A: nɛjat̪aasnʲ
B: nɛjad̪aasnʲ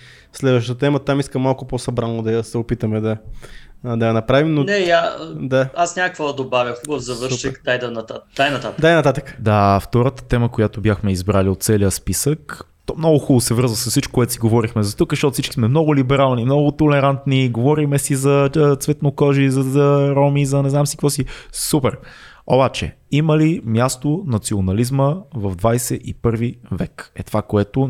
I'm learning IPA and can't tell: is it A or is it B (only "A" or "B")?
B